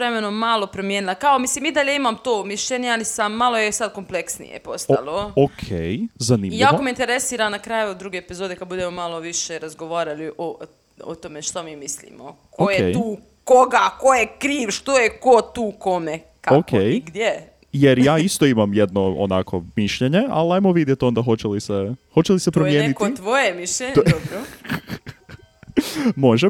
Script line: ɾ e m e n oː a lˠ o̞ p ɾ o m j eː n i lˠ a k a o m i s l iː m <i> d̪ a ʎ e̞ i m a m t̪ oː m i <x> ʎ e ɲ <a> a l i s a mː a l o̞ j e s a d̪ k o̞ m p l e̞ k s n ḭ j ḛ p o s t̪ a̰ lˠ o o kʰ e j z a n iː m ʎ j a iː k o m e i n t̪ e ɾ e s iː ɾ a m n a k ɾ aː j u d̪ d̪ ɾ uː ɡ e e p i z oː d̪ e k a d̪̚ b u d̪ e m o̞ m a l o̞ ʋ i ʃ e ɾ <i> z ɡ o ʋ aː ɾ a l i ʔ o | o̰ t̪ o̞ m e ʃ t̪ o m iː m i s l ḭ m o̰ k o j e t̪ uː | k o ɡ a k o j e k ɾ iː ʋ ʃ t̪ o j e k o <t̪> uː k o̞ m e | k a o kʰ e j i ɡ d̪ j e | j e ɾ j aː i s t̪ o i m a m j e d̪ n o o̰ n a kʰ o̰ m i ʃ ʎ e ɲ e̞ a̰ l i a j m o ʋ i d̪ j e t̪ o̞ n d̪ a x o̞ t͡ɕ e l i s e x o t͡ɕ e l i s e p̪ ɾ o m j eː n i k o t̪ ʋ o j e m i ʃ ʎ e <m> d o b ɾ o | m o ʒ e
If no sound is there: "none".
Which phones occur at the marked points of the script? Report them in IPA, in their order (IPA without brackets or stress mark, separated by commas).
i, ʃ, e, a, t̪, ɲ